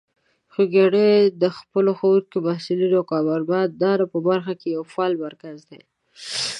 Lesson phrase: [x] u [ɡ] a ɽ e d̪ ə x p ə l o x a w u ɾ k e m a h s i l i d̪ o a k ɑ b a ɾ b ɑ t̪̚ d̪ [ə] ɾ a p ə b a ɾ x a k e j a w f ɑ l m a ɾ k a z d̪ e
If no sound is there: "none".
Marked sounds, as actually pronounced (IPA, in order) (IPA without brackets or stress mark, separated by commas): x, ɡ, ɑ